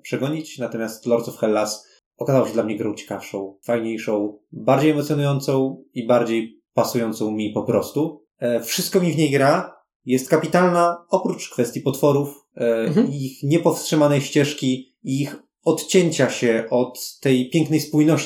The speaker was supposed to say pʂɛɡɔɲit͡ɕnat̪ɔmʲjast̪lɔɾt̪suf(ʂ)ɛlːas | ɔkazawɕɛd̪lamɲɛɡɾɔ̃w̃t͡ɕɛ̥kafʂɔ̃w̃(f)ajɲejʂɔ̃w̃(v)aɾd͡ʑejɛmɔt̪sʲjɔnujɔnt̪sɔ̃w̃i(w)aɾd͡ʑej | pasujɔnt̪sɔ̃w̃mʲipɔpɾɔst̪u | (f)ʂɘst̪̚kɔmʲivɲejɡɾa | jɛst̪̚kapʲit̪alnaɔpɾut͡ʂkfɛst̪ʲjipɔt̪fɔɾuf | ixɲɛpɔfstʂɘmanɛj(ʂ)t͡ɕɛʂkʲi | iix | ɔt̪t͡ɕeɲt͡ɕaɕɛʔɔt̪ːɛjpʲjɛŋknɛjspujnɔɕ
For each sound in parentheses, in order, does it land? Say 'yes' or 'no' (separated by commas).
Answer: no, yes, no, no, yes, no